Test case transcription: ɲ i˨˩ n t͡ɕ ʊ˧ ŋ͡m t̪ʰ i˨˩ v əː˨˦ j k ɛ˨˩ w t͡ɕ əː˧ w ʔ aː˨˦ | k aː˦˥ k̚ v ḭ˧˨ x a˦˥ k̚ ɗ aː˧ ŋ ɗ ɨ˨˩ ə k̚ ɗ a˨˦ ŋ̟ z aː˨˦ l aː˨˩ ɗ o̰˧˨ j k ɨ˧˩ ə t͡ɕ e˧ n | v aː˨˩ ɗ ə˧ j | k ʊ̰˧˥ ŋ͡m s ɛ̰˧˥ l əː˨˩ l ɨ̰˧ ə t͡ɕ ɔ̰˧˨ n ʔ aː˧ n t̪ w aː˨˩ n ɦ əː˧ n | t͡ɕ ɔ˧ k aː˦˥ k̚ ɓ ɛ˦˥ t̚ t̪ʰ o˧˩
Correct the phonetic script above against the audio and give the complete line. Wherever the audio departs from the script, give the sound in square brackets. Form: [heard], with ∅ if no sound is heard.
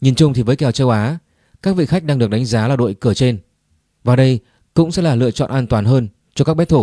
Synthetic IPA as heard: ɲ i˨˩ n t͡ɕ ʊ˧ ŋ͡m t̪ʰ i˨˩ v əː˨˦ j k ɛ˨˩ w t͡ɕ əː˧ w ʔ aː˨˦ | k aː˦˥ k̚ v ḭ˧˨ x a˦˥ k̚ ɗ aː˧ ŋ ɗ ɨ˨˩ ə k̚ ɗ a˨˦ ŋ̟ z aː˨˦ l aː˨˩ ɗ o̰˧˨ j k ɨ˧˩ ə t͡ɕ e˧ n | v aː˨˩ ɗ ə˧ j | k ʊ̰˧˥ ŋ͡m s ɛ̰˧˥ l [aː˨˩] l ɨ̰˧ ə t͡ɕ ɔ̰˧˨ n ʔ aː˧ n t̪ w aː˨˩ n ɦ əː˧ n | t͡ɕ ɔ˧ k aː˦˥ k̚ ɓ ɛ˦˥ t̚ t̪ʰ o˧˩

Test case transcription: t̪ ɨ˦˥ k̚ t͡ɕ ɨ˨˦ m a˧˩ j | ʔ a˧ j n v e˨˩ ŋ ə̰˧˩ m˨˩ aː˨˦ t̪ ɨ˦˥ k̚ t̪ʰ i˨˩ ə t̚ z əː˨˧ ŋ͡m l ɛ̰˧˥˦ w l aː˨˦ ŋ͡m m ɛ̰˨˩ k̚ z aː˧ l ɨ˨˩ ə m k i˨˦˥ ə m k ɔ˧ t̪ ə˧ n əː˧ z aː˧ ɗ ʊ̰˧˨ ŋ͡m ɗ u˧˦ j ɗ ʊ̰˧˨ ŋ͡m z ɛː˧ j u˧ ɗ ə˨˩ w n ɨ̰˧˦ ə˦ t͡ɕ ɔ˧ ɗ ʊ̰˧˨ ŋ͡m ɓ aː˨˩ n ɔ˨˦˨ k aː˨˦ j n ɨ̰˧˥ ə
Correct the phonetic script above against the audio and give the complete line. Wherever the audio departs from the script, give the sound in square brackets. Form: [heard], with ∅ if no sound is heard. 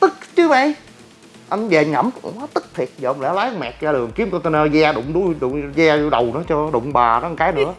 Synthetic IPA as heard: t̪ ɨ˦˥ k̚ t͡ɕ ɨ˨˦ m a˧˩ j | ʔ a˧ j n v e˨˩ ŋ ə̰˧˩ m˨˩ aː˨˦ t̪ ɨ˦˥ k̚ t̪ʰ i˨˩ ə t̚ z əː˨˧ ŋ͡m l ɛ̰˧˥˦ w l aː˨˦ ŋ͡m m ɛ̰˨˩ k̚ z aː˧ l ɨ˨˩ ə [ŋ] k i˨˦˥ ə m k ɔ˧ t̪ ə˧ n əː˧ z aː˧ ɗ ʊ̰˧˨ ŋ͡m ɗ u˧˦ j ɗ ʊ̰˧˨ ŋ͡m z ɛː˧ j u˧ ɗ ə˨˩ w n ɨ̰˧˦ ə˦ t͡ɕ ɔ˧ ɗ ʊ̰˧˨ ŋ͡m ɓ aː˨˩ n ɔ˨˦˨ k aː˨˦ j n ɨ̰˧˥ ə

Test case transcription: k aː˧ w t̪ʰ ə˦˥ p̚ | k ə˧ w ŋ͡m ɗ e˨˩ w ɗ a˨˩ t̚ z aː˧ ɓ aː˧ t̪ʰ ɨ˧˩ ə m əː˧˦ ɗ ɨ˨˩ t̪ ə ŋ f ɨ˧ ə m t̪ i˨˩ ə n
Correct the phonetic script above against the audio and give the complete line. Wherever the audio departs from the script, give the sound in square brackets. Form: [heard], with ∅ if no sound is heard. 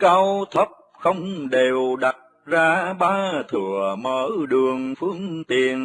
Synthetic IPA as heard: k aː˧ w t̪ʰ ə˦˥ p̚ | [x] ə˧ w ŋ͡m ɗ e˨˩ w ɗ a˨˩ t̚ z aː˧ ɓ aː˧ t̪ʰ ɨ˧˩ ə m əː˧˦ ɗ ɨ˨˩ [∅] ə ŋ f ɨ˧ ə [ŋ] t̪ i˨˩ ə n

